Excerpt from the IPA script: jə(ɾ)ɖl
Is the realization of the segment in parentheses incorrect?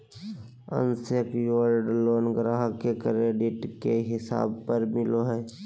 no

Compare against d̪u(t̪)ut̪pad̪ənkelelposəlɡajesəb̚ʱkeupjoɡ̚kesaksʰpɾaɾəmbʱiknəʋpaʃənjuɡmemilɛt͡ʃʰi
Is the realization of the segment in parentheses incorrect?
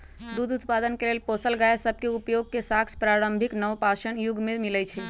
yes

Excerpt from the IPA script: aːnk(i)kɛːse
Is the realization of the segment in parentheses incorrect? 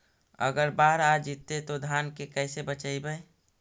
yes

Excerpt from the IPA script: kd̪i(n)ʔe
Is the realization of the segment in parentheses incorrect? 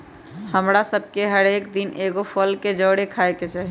no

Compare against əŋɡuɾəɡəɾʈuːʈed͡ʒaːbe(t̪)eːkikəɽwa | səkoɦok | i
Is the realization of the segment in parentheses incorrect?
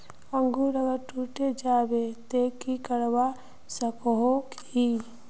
no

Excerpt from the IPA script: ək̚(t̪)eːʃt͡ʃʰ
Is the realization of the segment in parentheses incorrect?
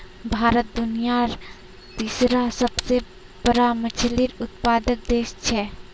yes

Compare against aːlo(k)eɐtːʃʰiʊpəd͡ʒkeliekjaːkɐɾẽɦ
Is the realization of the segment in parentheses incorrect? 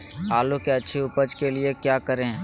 no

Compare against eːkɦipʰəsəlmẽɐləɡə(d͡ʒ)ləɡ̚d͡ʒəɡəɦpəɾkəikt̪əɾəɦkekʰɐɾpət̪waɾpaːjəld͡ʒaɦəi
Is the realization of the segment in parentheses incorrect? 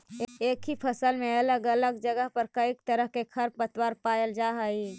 yes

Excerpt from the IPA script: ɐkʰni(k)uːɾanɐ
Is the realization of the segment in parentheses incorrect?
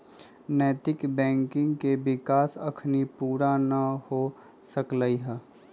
yes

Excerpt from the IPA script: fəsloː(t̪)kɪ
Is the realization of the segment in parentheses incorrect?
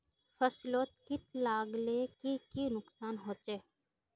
no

